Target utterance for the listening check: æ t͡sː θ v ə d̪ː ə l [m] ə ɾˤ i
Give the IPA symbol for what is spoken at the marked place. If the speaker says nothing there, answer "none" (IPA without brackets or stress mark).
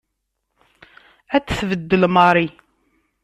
m